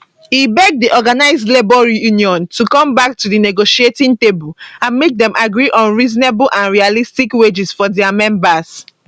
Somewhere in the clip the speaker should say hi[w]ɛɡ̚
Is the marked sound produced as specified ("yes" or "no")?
no